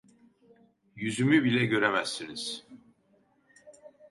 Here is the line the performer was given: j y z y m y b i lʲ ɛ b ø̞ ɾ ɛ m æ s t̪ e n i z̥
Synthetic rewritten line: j y z y m y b i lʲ ɛ ɟ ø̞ ɾ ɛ m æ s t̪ i n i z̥